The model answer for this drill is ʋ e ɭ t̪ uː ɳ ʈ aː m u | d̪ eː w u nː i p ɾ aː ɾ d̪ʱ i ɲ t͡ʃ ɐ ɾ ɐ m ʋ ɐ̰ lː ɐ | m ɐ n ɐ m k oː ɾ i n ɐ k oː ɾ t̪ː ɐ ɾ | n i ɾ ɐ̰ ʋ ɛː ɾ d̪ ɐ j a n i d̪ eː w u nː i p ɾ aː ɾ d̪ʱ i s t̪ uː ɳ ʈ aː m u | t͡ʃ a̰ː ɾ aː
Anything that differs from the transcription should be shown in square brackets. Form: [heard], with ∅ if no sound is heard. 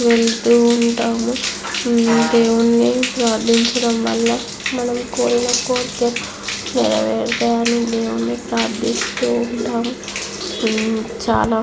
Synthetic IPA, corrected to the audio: ʋ e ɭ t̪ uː ɳ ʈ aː m u | d̪ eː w u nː i p ɾ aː ɾ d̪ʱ i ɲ t͡ʃ ɐ [ɽ] ɐ m ʋ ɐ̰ lː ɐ | m ɐ n ɐ m k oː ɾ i n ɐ k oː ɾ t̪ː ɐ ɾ | n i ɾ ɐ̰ ʋ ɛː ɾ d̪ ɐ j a n i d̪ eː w u nː i p ɾ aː ɾ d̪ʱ i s t̪ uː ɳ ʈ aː m u | t͡ʃ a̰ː [l] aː